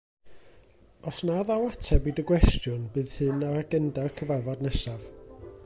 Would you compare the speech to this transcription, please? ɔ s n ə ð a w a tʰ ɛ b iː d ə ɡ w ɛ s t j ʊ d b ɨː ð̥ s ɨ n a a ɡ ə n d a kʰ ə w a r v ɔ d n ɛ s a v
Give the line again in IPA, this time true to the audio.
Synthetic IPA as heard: ɔ s n a ð a w a tʰ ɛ b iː d ə ɡ w ɛ s t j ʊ n b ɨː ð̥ h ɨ n a a ɡ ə n d a kʰ ə v a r v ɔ d n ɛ s a v